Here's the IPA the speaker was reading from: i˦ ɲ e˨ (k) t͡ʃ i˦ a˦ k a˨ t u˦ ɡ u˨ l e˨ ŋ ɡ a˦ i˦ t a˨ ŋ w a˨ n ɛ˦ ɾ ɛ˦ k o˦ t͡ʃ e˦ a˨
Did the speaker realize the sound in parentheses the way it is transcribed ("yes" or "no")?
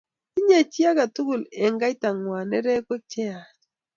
no